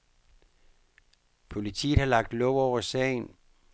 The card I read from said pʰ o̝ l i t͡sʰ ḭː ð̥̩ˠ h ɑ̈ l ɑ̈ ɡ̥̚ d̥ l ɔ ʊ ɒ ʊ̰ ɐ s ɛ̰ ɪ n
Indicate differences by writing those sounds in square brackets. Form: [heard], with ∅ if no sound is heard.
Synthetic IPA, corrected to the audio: pʰ o̝ l i t͡sʰ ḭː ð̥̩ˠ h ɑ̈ l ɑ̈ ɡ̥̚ d̥ l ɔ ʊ ɒ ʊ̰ ɐ s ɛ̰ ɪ n